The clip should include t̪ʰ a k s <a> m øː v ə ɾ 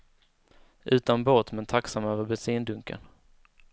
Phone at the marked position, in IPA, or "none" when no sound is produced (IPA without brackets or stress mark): a